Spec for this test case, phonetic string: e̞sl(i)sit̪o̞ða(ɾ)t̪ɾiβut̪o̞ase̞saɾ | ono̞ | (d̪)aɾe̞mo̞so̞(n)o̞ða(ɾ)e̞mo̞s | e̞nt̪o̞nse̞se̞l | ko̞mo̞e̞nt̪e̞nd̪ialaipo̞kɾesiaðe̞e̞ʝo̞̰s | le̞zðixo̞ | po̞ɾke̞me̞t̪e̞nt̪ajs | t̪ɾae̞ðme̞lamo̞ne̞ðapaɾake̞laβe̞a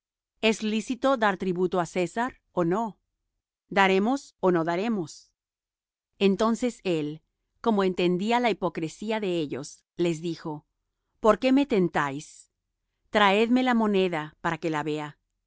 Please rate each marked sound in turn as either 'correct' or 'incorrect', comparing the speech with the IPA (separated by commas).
correct, correct, correct, correct, correct